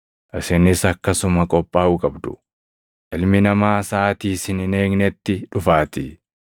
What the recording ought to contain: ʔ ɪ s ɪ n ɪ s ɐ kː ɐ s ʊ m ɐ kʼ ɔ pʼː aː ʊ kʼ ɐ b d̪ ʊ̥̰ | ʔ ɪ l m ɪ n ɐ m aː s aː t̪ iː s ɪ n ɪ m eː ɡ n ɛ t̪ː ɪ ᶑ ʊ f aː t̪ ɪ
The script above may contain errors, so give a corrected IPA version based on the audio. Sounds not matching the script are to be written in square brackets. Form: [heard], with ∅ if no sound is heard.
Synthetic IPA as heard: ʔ ɪ s ɪ n ɪ s ɐ kː ɐ s ʊ m ɐ kʼ ɔ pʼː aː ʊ kʼ ɐ b d̪ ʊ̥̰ | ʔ ɪ l m ɪ n ɐ m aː s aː t̪ iː s ɪ n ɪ [n] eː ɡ n ɛ t̪ː ɪ ᶑ ʊ f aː t̪ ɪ

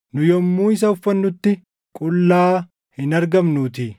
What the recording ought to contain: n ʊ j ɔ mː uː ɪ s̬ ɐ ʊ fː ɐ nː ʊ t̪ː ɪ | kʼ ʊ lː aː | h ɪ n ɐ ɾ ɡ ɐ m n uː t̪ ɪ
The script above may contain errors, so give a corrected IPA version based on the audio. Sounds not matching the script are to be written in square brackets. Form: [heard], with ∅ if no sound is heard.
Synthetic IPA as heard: n ʊ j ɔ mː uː ɪ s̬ ɐ ʊ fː ɐ nː ʊ t̪ː ɪ | kʼ ʊ lː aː | h ɪ n ɐ ɾ ɡ ɐ m n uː t̪ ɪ

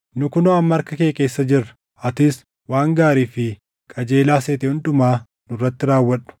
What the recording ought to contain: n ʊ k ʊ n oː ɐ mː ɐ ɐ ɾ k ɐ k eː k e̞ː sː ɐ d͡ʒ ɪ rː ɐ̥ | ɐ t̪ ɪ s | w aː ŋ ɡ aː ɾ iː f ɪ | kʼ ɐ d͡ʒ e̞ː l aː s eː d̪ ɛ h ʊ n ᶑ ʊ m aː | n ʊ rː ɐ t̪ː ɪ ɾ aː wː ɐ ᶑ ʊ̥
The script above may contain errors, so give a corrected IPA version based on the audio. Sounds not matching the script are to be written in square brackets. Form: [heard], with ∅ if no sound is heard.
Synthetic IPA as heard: n ʊ k ʊ n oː ɐ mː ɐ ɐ ɾ k ɐ k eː k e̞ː sː ɐ d͡ʒ ɪ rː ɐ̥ | ɐ t̪ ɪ s | w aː ŋ ɡ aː ɾ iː f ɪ | kʼ ɐ d͡ʒ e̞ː l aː s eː [t̪] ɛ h ʊ n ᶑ ʊ m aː | n ʊ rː ɐ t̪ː ɪ ɾ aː wː ɐ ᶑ ʊ̥

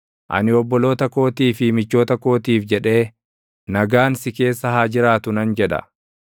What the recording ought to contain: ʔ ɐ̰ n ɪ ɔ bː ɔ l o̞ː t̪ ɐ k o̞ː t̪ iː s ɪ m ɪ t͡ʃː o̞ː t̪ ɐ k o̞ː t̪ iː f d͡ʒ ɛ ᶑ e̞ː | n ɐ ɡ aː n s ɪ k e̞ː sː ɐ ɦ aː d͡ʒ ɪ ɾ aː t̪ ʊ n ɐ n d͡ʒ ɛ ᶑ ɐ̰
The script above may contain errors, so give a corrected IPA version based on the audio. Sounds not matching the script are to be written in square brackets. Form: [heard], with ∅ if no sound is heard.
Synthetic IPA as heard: ʔ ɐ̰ n ɪ ɔ bː ɔ l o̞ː t̪ ɐ k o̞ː t̪ iː [f] ɪ m ɪ t͡ʃː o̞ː t̪ ɐ k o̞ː t̪ iː f d͡ʒ ɛ ᶑ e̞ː | n ɐ ɡ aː n s ɪ k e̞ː sː ɐ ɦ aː d͡ʒ ɪ ɾ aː t̪ ʊ n ɐ n d͡ʒ ɛ ᶑ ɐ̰

